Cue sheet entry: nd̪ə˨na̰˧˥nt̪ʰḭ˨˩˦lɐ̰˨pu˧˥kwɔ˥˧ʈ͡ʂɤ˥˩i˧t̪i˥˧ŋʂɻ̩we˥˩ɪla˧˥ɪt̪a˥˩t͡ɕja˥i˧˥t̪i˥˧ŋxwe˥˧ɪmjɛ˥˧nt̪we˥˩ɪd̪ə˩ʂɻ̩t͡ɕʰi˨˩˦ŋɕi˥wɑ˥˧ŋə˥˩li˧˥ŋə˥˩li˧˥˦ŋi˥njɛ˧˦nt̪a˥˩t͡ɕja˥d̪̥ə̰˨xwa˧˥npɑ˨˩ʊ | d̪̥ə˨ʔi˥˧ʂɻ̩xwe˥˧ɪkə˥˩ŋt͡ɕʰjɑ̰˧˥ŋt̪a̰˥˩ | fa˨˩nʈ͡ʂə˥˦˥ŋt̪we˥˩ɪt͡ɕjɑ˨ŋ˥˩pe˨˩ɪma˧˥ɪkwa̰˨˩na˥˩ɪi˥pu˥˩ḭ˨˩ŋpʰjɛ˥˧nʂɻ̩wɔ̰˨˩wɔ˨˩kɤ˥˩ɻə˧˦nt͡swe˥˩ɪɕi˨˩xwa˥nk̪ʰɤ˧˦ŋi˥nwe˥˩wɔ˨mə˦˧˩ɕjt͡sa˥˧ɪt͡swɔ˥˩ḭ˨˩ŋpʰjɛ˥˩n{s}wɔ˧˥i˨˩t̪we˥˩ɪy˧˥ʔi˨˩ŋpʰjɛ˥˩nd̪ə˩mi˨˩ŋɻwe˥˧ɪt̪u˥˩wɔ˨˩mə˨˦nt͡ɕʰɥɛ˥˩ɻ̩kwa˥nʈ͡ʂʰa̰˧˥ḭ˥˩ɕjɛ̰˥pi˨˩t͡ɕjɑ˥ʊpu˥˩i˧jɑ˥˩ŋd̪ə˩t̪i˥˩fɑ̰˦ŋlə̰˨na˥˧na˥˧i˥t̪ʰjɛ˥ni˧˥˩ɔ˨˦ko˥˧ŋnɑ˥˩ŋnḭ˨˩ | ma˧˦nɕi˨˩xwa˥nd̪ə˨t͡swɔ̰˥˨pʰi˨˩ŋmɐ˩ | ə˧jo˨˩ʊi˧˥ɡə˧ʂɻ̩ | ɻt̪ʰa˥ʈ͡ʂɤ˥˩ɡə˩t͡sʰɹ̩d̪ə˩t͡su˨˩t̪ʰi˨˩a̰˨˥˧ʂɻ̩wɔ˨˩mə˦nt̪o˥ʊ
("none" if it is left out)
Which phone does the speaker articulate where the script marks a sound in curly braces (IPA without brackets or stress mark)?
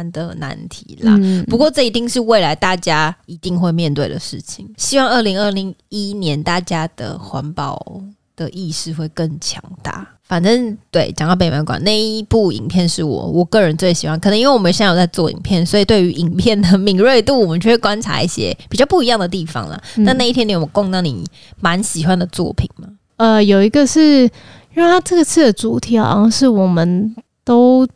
s